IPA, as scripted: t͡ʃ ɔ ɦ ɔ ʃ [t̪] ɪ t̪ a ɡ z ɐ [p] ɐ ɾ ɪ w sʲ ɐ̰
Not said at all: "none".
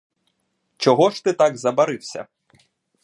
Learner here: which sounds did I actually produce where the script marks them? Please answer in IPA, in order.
t̪, b

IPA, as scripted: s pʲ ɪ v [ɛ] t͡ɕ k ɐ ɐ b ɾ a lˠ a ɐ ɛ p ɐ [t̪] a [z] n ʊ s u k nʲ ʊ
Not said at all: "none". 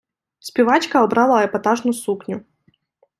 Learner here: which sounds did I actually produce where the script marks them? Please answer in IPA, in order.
a, t̪, ʐ

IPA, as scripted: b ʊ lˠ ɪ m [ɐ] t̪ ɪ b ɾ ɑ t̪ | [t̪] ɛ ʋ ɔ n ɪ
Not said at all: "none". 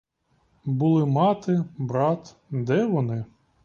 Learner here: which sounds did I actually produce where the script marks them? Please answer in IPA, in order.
ɑ, d̪

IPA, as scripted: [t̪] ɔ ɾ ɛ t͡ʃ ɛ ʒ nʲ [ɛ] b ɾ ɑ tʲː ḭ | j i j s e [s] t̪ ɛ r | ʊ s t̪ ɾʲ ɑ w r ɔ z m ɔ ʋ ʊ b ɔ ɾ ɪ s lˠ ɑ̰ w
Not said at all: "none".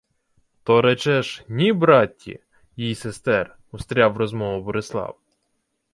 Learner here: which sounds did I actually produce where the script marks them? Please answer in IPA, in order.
t̪, i, s

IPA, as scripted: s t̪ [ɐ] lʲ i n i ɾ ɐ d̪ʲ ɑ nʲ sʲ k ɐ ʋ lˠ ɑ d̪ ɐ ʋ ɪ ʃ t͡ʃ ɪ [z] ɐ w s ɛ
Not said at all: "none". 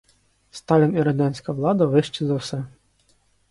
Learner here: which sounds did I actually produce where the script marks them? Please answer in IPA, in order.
ɑ, z

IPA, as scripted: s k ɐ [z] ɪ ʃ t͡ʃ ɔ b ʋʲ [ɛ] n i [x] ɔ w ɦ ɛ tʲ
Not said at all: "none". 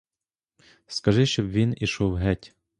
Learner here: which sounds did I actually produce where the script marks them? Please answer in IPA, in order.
ʒ, i, ʃ

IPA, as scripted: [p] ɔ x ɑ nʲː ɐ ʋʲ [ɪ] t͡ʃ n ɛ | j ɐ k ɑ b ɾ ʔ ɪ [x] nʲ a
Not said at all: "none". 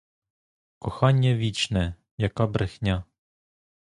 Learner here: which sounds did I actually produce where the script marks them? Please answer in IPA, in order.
k, i, x

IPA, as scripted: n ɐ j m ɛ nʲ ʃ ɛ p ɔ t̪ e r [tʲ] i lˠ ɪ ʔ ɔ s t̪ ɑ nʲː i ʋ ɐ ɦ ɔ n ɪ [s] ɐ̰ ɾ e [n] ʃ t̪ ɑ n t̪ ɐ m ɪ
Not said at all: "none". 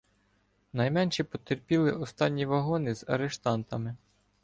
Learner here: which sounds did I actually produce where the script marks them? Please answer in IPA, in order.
pʲ, z, none

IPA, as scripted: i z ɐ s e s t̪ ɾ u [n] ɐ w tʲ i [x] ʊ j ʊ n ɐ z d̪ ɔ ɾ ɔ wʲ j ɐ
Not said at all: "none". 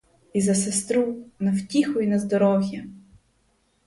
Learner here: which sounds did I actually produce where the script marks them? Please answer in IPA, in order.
n, x

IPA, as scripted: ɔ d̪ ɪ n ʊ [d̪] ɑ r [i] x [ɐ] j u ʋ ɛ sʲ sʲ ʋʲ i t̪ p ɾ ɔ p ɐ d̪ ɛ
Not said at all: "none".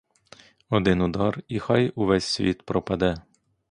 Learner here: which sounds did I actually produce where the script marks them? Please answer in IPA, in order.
d̪, i, ɑ

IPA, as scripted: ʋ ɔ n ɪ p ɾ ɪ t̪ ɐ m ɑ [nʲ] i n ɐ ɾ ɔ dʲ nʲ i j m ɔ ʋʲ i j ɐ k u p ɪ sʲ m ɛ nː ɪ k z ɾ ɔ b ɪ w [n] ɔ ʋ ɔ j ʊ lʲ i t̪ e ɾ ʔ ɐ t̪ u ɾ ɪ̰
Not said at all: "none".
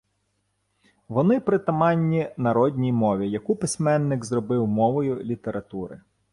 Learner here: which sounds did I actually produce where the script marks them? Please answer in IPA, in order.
nʲː, m

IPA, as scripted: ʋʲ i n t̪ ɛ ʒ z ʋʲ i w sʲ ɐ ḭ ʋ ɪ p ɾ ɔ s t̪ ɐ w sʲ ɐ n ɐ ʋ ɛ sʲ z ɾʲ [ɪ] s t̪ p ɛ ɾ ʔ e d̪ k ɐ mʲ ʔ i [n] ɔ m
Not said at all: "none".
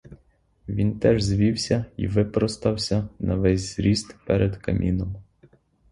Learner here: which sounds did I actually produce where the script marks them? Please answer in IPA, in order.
i, n

